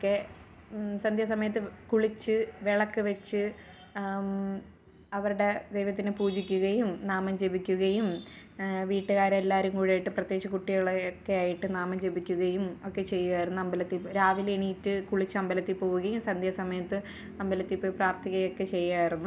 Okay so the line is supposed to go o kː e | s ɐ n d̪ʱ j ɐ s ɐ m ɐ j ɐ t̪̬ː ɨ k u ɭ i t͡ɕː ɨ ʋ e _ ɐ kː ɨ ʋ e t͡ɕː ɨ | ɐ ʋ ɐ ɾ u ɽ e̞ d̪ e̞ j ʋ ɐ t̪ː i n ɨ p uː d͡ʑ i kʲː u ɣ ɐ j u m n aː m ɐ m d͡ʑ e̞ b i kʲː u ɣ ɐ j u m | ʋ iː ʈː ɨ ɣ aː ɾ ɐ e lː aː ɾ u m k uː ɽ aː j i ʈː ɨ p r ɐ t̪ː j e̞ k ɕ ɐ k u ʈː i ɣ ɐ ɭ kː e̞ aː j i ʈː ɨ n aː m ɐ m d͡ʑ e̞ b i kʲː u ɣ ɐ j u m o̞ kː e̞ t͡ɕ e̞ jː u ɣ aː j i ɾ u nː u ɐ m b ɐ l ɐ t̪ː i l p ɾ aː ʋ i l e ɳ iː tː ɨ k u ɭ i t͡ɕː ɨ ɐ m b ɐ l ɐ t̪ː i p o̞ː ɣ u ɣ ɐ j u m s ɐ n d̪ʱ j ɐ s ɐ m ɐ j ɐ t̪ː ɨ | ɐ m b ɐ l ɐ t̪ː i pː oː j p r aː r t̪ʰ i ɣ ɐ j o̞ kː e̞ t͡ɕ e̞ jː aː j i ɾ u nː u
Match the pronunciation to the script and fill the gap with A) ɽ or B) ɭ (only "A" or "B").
B